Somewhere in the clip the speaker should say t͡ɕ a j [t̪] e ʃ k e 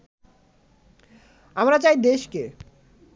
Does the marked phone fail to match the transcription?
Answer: yes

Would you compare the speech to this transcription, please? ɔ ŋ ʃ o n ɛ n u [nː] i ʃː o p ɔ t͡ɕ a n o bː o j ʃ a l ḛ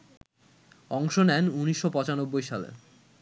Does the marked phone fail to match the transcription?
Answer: yes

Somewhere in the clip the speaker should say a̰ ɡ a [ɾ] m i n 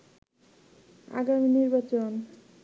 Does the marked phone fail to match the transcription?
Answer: yes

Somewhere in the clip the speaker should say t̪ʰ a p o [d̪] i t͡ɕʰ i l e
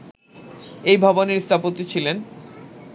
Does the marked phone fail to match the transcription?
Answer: yes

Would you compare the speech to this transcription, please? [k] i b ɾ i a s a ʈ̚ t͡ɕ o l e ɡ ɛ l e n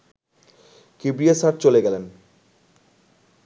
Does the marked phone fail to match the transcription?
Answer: no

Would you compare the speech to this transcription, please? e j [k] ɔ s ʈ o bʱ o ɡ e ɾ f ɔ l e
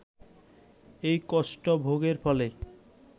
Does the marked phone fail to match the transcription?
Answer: no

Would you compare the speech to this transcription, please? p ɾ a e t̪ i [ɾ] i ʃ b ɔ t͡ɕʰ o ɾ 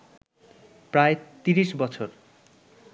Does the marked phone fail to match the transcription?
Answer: no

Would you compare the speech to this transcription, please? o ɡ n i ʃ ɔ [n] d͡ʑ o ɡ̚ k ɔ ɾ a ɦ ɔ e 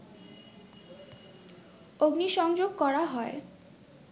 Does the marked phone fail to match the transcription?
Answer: yes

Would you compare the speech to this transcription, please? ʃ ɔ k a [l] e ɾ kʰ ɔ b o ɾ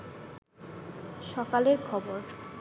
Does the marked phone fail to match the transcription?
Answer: no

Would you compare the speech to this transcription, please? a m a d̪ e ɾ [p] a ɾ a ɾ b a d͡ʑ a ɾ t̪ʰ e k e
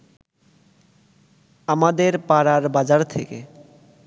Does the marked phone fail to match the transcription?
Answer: no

